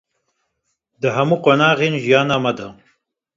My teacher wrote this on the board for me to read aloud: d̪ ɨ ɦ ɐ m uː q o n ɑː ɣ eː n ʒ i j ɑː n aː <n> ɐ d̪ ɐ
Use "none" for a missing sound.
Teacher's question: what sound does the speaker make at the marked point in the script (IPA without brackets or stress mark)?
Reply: m